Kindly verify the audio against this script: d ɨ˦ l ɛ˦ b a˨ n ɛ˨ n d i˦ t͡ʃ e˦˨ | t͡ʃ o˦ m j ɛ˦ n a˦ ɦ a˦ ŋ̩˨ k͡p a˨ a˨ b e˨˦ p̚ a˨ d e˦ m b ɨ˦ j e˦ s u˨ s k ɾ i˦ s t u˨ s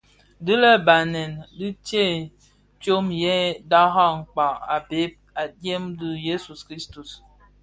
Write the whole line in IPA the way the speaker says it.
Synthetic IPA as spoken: d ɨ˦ l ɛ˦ b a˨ n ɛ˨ n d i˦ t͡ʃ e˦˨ | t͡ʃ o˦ m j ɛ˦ d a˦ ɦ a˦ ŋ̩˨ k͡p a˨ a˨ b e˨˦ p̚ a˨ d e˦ m d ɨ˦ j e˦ s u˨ s k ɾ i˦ s t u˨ s

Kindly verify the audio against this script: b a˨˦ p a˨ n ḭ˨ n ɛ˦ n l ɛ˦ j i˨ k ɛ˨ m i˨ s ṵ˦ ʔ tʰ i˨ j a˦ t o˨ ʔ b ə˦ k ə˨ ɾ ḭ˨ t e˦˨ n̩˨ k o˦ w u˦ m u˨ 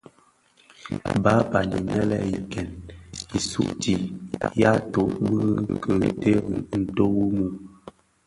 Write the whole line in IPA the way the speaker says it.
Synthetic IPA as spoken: b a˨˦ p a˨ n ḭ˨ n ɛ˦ l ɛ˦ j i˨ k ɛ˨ n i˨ s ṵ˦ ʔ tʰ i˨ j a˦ t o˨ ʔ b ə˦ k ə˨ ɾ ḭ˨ t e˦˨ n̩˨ t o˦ w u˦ m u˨

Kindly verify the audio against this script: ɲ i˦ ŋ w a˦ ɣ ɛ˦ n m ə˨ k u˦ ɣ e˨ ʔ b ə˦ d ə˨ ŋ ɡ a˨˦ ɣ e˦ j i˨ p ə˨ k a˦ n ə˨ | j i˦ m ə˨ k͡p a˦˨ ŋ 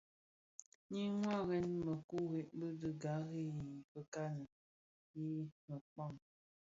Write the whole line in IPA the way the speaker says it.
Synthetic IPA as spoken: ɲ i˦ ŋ w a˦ ɣ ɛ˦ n m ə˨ k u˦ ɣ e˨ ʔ b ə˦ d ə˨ ɡ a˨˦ ɣ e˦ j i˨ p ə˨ k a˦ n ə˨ | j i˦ m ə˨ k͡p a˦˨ ŋ

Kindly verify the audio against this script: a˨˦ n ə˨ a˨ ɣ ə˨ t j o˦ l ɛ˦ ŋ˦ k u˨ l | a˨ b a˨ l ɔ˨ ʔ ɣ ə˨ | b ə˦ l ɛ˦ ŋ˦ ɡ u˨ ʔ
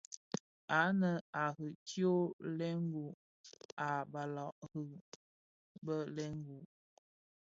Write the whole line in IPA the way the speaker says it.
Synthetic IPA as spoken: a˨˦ n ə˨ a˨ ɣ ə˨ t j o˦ l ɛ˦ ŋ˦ ɡ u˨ | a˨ b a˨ l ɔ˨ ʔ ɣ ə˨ | b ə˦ l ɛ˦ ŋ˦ ɡ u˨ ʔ

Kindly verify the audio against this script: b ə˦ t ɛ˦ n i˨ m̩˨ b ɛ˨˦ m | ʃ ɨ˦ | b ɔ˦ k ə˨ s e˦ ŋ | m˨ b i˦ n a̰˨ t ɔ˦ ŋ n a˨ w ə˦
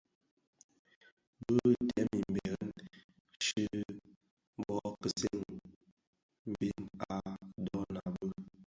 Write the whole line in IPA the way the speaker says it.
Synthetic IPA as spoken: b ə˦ t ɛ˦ m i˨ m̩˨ b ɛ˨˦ n | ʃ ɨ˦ | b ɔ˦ k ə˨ s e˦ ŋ | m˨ b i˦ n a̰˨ d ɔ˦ n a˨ b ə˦

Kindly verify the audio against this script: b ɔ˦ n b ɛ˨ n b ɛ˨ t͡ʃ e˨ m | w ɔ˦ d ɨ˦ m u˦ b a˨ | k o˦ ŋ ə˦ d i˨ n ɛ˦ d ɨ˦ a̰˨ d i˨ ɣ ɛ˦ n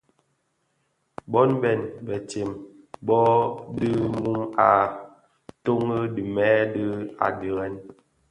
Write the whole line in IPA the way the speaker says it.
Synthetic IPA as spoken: b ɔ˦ n b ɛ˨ n b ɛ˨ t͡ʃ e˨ m | b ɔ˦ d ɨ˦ m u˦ m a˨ | t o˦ ŋ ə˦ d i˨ m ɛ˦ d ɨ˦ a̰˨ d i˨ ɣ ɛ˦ n

